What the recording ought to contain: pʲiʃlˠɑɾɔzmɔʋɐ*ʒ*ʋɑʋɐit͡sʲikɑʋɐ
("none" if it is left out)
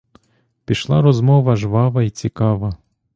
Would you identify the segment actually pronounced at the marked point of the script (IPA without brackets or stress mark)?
ʒ